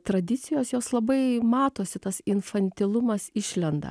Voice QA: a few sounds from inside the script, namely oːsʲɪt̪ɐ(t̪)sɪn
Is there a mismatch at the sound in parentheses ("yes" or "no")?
yes